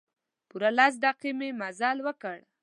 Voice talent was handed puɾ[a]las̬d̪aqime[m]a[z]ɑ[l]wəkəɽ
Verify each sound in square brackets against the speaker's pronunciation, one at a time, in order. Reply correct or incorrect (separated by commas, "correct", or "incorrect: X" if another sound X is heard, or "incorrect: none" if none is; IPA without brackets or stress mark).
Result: correct, correct, correct, correct